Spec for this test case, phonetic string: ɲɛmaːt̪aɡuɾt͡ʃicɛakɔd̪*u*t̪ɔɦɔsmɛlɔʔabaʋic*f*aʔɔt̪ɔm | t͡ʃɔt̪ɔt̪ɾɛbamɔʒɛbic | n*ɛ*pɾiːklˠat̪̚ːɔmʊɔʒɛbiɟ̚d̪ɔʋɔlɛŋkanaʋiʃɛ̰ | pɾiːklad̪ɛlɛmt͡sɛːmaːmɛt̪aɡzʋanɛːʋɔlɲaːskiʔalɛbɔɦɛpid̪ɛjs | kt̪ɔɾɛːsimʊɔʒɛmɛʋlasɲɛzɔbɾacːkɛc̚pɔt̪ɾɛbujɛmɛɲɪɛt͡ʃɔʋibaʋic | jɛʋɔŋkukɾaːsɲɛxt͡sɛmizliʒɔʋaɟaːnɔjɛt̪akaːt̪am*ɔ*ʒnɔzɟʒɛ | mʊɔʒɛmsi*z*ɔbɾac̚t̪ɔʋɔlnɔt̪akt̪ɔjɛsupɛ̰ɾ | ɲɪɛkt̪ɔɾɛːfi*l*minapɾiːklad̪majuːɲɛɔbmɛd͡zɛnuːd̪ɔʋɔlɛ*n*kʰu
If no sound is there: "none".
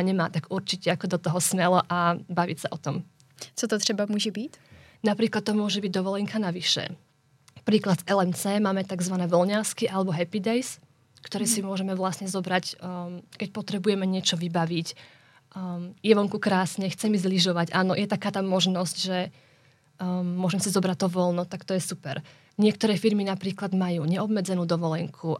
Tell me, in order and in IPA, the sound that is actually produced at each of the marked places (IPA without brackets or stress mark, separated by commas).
ɔ, s, a, ɔ, z, ɾ, ŋ